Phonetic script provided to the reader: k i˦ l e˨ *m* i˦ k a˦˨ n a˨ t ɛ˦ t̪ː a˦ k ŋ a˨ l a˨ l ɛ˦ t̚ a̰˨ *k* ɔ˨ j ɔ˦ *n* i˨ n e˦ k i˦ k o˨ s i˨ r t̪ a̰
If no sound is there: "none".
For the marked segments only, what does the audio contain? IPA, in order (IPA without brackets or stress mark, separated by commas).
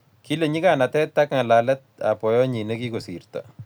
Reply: ɲ, p, ɲ